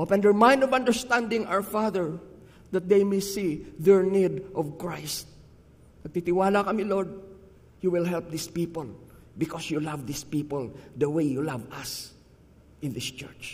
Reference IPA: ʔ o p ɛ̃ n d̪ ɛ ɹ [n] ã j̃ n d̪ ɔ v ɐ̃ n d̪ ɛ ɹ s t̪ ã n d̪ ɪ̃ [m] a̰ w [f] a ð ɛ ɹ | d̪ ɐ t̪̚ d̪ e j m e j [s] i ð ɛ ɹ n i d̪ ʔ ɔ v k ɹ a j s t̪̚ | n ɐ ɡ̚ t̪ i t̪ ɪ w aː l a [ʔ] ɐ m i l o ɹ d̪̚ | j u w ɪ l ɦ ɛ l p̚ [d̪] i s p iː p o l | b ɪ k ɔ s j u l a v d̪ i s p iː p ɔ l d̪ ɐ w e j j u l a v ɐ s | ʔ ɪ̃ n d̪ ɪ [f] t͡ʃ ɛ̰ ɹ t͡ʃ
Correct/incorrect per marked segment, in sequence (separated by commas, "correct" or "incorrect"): incorrect, incorrect, correct, correct, incorrect, correct, incorrect